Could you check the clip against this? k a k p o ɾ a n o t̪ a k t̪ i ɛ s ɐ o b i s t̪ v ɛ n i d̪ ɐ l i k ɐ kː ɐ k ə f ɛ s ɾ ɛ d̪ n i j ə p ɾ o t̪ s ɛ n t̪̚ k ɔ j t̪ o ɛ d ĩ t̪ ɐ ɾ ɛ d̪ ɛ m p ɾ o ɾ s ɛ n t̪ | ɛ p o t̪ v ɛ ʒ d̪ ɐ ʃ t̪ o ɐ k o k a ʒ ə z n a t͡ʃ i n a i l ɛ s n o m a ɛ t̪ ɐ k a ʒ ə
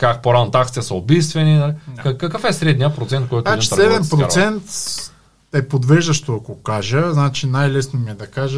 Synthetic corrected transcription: k a k p o ɾ a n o t̪ a k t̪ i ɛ s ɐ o b i s t̪ v ɛ n i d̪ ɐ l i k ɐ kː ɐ k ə f ɛ s ɾ ɛ d̪ n i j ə p ɾ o t̪ s ɛ n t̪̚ k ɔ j t̪ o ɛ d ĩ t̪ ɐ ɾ ɛ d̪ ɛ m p ɾ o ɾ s ɛ n t̪ | ɛ p o d̪ v ɛ ʒ d̪ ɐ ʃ t̪ o ɐ k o k a ʒ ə z n a t͡ʃ i n a j l ɛ s n o m i ɛ d̪ ɐ k a ʒ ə